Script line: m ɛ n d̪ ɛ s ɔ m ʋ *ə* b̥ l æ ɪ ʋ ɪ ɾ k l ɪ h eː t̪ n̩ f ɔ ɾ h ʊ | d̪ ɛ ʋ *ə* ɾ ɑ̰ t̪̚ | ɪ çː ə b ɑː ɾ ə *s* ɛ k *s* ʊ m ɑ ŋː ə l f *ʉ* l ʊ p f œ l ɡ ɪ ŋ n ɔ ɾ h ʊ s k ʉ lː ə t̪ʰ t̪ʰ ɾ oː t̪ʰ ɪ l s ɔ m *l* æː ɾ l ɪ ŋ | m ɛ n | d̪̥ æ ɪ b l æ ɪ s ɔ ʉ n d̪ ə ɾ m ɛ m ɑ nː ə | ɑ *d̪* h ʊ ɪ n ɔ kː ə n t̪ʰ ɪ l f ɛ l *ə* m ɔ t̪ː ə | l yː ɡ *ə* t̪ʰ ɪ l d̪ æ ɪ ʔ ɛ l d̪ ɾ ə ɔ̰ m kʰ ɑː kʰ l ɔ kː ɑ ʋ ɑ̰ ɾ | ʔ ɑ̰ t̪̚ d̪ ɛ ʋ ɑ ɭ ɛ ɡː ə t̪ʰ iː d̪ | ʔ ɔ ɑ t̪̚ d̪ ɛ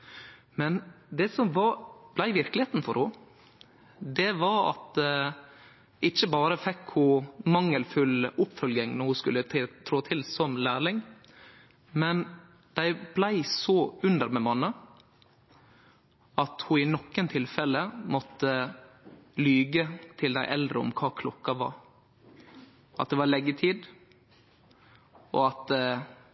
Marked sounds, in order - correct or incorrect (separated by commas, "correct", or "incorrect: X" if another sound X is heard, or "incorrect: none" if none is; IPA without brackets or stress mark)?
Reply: incorrect: ɑ, incorrect: ɑ, incorrect: f, incorrect: h, correct, correct, incorrect: t̪, correct, correct